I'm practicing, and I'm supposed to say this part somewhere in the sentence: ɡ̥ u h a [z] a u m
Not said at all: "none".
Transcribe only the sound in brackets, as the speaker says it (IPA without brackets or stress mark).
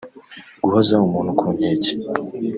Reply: z